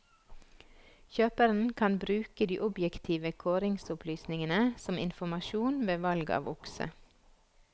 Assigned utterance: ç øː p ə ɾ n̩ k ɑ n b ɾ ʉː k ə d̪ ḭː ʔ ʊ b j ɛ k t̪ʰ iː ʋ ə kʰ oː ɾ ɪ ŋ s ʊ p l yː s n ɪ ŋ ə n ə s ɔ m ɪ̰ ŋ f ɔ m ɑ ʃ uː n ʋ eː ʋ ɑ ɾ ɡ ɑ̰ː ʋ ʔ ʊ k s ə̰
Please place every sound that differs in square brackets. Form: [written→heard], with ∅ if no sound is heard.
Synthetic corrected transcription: ç øː p ə ɾ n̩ [k→kʰ] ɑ n b ɾ ʉː k ə d̪ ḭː ʔ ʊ b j ɛ k t̪ʰ iː ʋ ə kʰ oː ɾ ɪ ŋ s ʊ p l yː s n ɪ ŋ ə n ə s ɔ m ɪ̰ [ŋ→n] f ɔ m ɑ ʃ uː n ʋ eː ʋ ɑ [ɾ→l] ɡ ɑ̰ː ʋ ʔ ʊ k s ə̰